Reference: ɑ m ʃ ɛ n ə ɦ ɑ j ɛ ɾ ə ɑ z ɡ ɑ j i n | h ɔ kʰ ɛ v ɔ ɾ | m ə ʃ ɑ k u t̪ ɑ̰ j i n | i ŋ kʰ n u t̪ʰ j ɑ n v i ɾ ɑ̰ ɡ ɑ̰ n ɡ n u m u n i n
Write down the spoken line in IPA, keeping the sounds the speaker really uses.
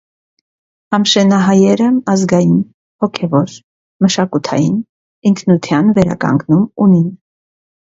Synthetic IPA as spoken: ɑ m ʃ ɛ n ɑ ɦ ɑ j ɛ ɾ ə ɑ z ɡ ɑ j i n | h ɔ kʰ ɛ v ɔ ɾ | m ə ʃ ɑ k u t̪ʰ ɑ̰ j i n | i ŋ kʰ n u t̪ʰ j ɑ n v ɛ ɾ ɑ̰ k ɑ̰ ŋ ɡ n u m u n i n